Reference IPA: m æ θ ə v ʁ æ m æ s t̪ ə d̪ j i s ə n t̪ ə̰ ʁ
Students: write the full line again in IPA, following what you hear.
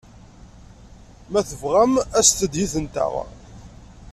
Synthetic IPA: m æ θ ə v ʁ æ m æ s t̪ ə d̪ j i θ ə n t̪ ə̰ ʁ